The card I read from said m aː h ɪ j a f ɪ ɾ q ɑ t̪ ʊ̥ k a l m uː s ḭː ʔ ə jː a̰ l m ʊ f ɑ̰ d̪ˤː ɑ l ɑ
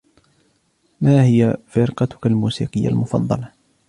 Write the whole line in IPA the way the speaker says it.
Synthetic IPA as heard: m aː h ɪ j a f ɪ ɾ q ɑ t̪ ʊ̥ k a l m uː s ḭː q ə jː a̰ l m ʊ f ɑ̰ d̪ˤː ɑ l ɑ